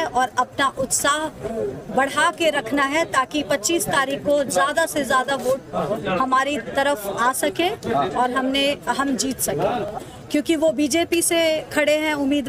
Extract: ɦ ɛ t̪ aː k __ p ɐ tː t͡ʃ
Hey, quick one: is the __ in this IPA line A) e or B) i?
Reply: B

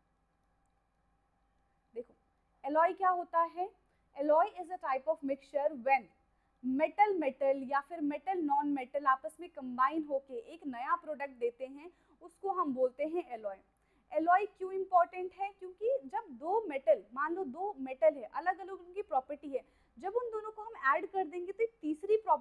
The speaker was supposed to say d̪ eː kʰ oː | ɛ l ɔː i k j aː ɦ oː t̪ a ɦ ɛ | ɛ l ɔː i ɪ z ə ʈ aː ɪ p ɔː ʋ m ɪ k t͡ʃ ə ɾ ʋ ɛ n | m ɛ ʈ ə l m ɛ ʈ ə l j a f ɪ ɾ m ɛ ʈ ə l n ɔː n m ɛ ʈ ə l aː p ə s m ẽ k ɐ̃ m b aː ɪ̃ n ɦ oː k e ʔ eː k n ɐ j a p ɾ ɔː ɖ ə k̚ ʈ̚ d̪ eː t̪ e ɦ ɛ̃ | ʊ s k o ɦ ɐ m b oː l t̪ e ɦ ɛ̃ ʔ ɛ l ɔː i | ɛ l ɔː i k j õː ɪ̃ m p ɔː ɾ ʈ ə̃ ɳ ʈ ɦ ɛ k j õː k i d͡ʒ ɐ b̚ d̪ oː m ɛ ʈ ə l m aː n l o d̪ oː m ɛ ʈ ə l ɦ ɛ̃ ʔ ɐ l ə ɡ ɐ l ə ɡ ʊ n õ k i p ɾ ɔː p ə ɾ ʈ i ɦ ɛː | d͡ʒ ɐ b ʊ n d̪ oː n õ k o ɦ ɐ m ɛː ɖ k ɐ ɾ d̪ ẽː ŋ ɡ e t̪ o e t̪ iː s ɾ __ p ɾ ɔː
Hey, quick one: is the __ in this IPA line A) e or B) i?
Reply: B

